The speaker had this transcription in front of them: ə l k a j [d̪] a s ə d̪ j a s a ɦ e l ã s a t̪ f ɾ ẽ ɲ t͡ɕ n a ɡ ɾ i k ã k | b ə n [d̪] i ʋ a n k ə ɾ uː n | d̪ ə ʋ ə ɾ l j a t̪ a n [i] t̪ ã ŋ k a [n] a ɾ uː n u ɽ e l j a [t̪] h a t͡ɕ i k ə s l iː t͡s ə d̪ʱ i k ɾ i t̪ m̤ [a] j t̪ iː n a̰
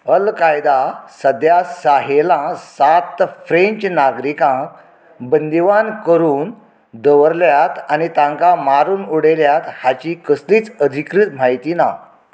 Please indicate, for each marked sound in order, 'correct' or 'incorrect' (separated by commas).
correct, correct, correct, incorrect, correct, correct